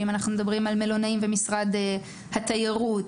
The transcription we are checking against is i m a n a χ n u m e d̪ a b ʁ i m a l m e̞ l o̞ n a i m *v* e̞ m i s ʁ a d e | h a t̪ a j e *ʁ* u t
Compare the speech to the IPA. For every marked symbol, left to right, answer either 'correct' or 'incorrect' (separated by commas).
correct, correct